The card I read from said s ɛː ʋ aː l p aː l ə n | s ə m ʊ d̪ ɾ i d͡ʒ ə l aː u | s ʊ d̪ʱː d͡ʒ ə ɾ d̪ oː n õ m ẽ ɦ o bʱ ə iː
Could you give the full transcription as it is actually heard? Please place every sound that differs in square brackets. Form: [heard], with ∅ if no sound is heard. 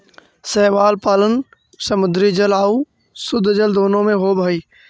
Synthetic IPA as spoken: s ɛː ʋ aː l p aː l ə n | s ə m ʊ d̪ ɾ i d͡ʒ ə l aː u | s ʊ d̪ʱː d͡ʒ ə [l] d̪ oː n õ m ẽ ɦ o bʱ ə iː